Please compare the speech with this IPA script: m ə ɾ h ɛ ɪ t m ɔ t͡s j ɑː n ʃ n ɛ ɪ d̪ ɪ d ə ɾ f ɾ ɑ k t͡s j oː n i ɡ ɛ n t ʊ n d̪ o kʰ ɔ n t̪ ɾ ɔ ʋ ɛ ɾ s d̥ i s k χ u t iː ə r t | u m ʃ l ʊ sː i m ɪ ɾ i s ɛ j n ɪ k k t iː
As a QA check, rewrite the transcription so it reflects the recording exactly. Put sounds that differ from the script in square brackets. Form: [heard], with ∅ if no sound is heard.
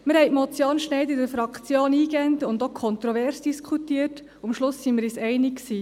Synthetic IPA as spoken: m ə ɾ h ɛ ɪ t m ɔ t͡s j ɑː n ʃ n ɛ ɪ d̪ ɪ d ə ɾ f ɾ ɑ k t͡s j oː n [iː] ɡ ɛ n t ʊ n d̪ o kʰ ɔ n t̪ ɾ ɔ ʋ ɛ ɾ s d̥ i s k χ u t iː ə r t | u m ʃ l ʊ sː i m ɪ ɾ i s ɛ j n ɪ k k [s] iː